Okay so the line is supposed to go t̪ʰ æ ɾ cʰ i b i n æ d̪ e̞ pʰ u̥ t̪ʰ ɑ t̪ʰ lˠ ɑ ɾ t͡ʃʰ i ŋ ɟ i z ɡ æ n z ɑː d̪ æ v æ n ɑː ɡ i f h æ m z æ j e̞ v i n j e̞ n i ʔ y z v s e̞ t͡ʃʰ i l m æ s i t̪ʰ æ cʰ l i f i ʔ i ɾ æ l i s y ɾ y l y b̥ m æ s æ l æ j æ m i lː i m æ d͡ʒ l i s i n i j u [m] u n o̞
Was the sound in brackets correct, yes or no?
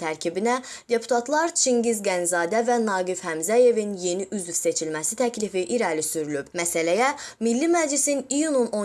no